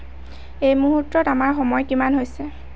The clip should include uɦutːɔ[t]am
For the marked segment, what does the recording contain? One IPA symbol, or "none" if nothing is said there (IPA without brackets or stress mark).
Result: t